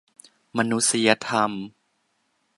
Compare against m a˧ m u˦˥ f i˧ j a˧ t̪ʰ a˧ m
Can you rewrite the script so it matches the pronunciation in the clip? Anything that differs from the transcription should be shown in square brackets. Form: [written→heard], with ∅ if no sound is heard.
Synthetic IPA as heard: m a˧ [m→n] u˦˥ [f→s] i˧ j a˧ t̪ʰ a˧ m